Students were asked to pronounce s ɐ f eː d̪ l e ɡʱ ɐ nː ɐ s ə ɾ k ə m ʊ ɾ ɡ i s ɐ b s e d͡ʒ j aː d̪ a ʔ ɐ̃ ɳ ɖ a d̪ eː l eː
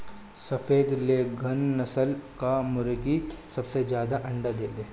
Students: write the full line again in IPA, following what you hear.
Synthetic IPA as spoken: s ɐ f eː d̪ l e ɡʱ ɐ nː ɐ s ə l k a m ʊ ɾ ɡ i s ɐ b s e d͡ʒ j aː d̪ a ʔ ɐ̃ ɳ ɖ a d̪ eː l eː